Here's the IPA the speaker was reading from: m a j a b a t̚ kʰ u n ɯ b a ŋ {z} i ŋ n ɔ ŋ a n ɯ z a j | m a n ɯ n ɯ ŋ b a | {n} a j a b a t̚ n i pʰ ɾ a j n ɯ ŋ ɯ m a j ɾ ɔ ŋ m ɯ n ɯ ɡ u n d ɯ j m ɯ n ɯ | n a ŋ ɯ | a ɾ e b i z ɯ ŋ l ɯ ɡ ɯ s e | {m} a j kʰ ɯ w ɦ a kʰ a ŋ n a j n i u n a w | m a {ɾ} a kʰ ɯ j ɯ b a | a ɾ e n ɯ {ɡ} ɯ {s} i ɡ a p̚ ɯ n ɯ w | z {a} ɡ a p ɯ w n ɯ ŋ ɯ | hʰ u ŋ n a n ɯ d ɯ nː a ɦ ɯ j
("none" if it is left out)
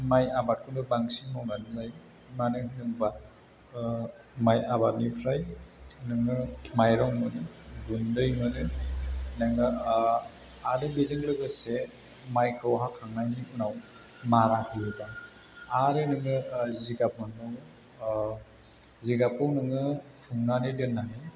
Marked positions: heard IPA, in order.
s, m, m, ɾ, ŋ, z, i

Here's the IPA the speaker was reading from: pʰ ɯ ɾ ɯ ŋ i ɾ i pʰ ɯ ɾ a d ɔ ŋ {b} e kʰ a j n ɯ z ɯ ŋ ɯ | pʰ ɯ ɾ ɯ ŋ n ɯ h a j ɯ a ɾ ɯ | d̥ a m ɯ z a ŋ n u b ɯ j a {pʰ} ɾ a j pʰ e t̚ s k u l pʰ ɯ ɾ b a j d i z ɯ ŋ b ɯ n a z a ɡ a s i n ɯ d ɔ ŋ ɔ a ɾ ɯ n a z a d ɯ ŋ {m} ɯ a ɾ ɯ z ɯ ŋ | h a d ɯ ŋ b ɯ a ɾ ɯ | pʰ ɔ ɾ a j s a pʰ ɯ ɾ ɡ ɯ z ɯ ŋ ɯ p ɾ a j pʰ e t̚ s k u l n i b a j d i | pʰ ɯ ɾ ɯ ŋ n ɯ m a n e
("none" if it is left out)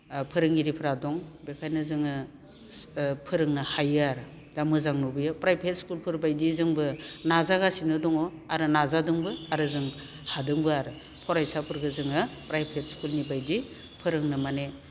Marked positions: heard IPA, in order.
b, p, b

